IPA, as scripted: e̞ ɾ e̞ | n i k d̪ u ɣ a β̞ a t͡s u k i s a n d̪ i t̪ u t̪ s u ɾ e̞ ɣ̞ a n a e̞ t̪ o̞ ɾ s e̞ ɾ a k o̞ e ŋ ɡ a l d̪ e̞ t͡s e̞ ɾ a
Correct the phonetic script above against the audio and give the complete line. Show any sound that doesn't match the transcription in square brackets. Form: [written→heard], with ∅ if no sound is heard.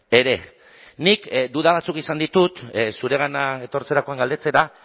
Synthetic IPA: e̞ ɾ e̞ | n i k d̪ u [ɣ→ð] a β̞ a t͡s u k i s a n d̪ i t̪ u t̪ s u ɾ e̞ ɣ̞ a n a e̞ t̪ o̞ ɾ [s→t͡s] e̞ ɾ a k o̞ [e→a] ŋ ɡ a l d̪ e̞ t͡s e̞ ɾ a

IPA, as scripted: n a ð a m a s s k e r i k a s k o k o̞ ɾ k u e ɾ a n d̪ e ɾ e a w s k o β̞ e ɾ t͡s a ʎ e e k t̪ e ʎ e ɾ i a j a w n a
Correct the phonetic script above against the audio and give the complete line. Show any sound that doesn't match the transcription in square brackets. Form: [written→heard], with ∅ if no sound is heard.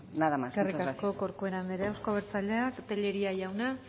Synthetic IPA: n a ð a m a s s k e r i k a s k o k o̞ ɾ k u e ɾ a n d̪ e ɾ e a w s k o β̞ e ɾ t͡s a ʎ e [e→a] k t̪ e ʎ e ɾ i a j a w n a

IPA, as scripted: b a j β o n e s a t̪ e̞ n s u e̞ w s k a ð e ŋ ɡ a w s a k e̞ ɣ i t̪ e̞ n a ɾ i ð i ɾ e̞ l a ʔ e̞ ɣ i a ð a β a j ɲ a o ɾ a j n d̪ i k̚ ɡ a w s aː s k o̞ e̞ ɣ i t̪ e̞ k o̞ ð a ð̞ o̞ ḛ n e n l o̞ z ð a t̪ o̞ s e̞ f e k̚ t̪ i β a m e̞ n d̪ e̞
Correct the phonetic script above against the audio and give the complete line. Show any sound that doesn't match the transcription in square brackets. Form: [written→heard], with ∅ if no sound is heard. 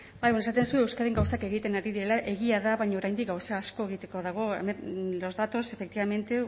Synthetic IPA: b a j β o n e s a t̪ e̞ n s u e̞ w s k a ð e ŋ ɡ a w s a k e̞ ɣ i t̪ e̞ n a ɾ i ð i ɾ e̞ l a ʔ e̞ ɣ i a ð a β a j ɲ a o ɾ a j n d̪ i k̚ ɡ a w s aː s k o̞ e̞ ɣ i t̪ e̞ k o̞ ð a [ð̞→ɣ̞] o̞ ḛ [n→m] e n l o̞ z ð a t̪ o̞ s e̞ f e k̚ t̪ i β a m e̞ n [d̪→t̪] e̞

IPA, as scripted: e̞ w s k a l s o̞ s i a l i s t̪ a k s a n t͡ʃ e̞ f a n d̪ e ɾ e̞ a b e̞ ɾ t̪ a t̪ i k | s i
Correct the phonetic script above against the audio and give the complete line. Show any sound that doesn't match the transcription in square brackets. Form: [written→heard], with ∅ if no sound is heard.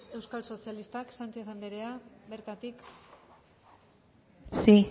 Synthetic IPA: e̞ w s k a l s o̞ s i a l i s t̪ a k s a n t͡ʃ e̞ [f→θ] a n d̪ e ɾ e̞ a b e̞ ɾ t̪ a t̪ i k | s i

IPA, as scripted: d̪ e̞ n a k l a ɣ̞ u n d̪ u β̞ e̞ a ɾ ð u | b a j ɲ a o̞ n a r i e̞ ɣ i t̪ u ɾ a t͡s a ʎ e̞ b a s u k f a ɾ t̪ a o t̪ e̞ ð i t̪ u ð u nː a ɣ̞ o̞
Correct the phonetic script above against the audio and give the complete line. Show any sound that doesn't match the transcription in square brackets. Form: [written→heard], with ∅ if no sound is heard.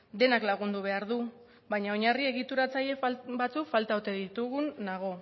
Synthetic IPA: d̪ e̞ n a k l a ɣ̞ u n d̪ u β̞ e̞ a ɾ ð u | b a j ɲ a o̞ [n→ɲ] a r i e̞ ɣ i t̪ u ɾ a t͡s a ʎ e̞ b a [s→t͡s] u k f a [ɾ→l] t̪ a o t̪ e̞ ð i t̪ u [ð→ɣ] u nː a ɣ̞ o̞

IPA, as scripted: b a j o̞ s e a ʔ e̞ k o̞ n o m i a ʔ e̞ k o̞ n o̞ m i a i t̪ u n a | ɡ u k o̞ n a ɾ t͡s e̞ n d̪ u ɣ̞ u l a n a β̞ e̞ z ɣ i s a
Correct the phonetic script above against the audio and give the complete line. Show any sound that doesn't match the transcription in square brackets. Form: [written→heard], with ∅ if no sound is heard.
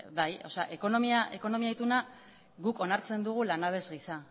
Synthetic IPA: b a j o̞ s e a ʔ e̞ k o̞ n o m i a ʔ e̞ k o̞ n o̞ m i a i t̪ u n a | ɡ u k o̞ n a ɾ t͡s e̞ n d̪ u ɣ̞ u l a n a β̞ e̞ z ɣ i s a

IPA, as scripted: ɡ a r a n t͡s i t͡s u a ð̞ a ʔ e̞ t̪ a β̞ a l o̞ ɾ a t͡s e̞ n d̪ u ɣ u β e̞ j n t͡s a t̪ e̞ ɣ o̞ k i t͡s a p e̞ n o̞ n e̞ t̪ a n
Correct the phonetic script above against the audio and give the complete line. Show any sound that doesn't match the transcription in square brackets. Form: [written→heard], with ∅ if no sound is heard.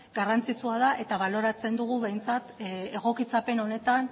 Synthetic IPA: ɡ a r a n t͡s i t͡s u a ð̞ a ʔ e̞ t̪ a β̞ a l o̞ ɾ a t͡s e̞ n d̪ u ɣ u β e̞ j n t͡s a t̪ e̞ ɣ o̞ k i t͡s a p e̞ n o̞ n e̞ t̪ a n

